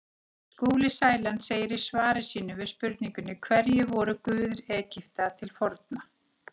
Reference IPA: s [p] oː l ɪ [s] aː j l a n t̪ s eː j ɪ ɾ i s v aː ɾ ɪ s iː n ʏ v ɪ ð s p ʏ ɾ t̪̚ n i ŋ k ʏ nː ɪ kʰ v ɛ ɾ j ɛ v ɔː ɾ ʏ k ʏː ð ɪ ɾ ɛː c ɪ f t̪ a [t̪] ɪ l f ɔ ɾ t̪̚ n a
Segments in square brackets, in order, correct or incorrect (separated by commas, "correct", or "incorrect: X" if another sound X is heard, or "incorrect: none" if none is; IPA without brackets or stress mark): incorrect: k, correct, incorrect: t̪ʰ